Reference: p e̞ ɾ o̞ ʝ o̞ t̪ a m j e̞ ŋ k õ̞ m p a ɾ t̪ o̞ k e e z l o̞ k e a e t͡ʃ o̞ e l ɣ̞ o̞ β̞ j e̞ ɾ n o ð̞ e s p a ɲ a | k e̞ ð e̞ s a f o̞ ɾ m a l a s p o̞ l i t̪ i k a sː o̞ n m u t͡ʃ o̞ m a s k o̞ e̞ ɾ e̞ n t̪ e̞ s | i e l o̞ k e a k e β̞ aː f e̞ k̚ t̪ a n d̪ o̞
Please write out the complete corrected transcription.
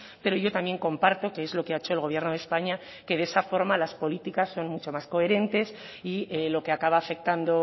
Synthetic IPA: p e̞ ɾ o̞ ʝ o̞ t̪ a m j e̞ ŋ k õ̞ m p a ɾ t̪ o̞ k e e z l o̞ k e a e t͡ʃ o̞ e l ɣ̞ o̞ β̞ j e̞ ɾ n o ð̞ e s p a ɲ a | k e̞ ð e̞ s a f o̞ ɾ m a l a s p o̞ l i t̪ i k a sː o̞ n m u t͡ʃ o̞ m a s k o̞ e̞ ɾ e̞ n t̪ e̞ s | i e l o̞ k e a k a β̞ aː f e̞ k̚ t̪ a n d̪ o̞